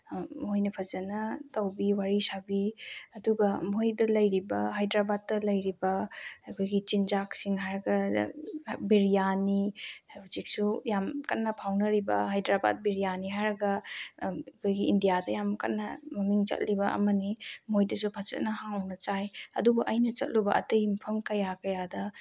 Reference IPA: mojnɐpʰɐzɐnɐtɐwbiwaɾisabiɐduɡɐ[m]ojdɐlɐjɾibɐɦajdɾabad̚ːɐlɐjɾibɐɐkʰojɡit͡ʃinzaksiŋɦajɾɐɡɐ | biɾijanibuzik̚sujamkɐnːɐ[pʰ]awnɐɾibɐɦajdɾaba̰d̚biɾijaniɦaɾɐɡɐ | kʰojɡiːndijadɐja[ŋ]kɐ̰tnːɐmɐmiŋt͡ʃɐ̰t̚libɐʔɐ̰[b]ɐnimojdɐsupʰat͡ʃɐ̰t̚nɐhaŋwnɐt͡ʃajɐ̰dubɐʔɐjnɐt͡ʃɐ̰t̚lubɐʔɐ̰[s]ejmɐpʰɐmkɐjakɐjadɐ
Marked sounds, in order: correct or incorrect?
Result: correct, correct, incorrect, incorrect, incorrect

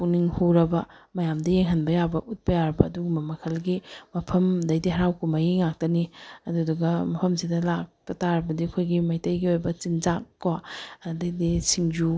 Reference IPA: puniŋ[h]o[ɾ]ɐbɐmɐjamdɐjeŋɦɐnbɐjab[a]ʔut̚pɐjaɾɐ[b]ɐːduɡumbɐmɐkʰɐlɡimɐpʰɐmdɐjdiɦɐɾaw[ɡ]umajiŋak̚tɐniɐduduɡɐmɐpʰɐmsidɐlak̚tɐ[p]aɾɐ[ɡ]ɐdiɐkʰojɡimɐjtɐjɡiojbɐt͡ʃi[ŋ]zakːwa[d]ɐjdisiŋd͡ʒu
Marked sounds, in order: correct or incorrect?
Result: correct, correct, incorrect, correct, incorrect, incorrect, incorrect, incorrect, correct

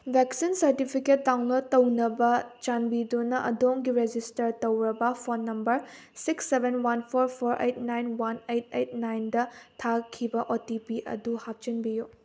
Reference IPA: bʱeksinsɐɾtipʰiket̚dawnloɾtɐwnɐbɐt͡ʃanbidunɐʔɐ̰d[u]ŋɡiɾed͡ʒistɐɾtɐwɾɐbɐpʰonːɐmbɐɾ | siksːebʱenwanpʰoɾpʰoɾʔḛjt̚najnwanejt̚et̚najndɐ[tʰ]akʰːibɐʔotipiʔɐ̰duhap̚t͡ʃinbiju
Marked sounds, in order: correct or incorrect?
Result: incorrect, correct

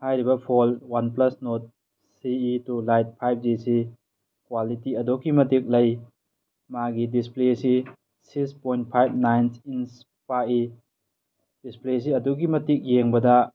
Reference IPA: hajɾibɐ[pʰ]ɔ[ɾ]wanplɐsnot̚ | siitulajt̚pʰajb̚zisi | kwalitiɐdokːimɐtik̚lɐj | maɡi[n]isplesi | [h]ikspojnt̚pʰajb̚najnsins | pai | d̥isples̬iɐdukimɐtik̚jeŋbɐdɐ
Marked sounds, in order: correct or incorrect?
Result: correct, incorrect, incorrect, incorrect

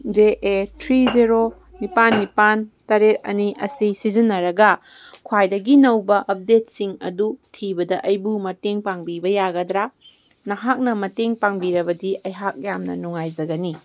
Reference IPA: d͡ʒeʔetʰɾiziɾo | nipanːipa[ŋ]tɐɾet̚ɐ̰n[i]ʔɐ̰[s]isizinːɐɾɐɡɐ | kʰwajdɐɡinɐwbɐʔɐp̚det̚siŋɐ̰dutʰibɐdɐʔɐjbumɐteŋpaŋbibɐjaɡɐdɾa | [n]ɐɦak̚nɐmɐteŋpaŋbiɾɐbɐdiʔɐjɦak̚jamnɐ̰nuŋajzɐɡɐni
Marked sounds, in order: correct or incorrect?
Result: incorrect, correct, correct, correct

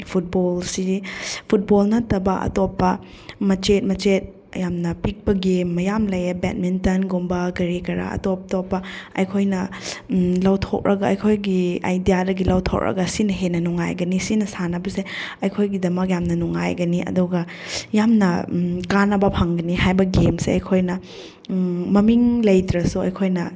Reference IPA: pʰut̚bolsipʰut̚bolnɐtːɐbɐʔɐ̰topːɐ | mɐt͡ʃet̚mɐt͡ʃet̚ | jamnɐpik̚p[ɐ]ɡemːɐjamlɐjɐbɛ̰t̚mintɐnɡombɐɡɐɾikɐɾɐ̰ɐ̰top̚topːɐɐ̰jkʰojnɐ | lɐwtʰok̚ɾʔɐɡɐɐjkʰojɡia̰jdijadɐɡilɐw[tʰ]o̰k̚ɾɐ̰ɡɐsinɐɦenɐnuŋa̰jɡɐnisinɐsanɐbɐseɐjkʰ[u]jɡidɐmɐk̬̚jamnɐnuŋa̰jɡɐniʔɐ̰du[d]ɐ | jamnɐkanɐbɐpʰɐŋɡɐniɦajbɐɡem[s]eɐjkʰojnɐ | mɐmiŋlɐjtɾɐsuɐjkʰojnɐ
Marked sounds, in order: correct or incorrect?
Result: correct, correct, incorrect, incorrect, correct

